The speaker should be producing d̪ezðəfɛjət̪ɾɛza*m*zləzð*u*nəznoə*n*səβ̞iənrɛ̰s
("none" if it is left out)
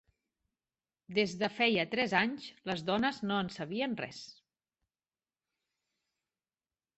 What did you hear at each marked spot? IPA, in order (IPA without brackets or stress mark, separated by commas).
ɲ, ɔ, n